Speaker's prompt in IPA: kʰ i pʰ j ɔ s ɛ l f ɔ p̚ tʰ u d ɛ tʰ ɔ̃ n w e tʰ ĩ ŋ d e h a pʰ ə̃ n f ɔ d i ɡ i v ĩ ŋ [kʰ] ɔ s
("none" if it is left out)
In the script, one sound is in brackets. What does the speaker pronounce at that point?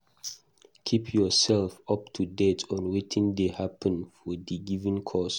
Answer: kʰ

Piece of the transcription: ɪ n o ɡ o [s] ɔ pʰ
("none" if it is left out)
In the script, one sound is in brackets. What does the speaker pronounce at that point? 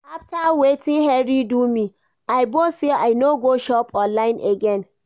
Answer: ʃ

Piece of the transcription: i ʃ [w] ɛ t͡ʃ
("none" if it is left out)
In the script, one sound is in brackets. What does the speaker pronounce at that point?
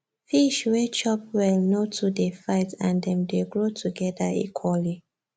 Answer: w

